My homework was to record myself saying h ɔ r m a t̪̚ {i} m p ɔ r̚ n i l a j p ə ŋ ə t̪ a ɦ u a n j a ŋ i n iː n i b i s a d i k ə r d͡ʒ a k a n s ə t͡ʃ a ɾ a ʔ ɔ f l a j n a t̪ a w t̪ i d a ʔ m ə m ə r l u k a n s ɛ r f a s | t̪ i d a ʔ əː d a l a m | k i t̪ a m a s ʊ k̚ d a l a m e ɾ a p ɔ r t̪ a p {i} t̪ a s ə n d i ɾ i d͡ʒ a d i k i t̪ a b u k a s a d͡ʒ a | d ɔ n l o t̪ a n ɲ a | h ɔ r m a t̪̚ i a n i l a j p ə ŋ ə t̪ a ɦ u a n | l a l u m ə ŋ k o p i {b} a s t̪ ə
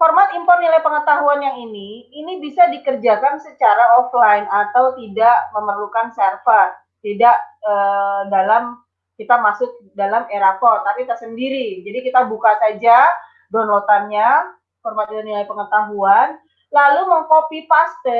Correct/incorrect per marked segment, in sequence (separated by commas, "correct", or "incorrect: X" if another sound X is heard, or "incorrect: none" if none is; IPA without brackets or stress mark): correct, correct, incorrect: p